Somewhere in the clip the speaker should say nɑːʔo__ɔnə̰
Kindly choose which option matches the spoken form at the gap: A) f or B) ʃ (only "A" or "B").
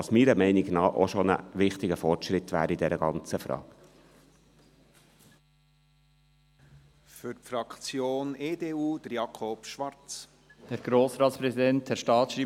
B